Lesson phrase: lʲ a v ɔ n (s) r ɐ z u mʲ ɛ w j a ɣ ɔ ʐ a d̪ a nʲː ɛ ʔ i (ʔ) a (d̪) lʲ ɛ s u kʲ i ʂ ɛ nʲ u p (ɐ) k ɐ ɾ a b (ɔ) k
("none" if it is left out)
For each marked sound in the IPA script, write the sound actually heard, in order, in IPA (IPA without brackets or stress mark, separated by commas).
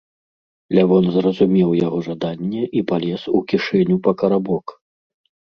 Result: z, p, none, ɐ, ɔ